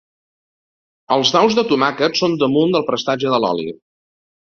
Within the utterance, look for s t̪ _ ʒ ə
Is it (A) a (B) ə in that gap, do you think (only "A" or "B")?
A